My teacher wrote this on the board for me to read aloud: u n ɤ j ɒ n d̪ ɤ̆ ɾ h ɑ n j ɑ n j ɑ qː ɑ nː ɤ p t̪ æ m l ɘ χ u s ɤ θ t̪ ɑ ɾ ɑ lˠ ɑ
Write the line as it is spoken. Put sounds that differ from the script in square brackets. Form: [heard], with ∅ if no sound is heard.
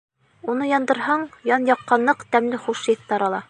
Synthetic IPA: u n ɤ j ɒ n d̪ ɤ̆ ɾ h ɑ [ɴ] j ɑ n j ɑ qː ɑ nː ɤ [q] t̪ æ m l ɘ χ u [ʃ] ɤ θ t̪ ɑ ɾ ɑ lˠ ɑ